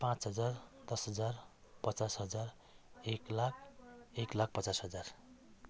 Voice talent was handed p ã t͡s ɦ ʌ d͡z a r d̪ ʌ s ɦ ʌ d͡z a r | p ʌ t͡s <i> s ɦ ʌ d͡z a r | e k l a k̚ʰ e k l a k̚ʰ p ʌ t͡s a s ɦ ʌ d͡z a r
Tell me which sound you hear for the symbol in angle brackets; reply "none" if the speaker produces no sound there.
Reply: a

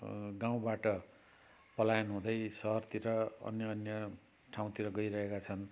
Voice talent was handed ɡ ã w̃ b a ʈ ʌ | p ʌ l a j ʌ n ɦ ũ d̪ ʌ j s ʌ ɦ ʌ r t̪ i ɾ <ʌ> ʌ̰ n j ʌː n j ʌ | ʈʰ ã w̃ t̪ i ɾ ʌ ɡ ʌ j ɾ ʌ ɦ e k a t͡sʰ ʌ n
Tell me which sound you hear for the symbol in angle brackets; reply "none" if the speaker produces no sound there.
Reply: ʌ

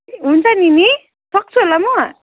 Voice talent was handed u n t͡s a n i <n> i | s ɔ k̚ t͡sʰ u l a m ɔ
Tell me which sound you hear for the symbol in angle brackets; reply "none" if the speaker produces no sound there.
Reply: n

